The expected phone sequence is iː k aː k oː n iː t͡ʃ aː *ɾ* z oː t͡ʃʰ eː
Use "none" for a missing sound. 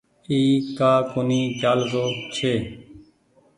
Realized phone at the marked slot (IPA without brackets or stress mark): l